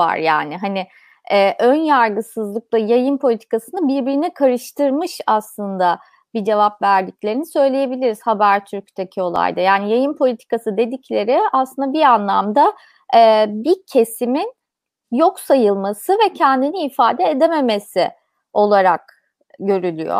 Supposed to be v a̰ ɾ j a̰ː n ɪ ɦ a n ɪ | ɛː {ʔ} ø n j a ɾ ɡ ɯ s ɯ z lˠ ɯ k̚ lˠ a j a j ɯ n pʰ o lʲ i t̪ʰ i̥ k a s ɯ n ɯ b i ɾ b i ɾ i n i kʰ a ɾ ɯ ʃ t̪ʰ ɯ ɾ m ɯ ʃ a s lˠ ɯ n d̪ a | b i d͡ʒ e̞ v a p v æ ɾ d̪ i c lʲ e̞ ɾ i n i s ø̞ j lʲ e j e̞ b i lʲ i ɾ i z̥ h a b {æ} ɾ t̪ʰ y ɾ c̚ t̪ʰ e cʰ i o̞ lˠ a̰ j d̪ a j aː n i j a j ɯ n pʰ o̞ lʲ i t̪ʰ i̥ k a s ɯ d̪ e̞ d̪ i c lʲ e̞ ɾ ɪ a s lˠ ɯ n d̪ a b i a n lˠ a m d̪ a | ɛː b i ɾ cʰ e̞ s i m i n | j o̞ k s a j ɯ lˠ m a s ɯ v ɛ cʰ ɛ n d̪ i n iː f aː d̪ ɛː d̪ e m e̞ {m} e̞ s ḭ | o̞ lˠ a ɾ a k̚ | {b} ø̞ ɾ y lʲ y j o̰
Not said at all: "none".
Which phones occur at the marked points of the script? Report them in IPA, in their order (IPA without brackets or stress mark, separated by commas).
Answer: ʔ, æ, m, ɟ